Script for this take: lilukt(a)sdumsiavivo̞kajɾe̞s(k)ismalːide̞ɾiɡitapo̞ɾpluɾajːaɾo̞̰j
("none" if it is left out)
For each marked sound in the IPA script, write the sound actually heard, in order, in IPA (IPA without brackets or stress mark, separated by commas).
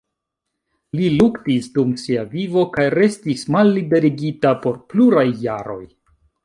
i, t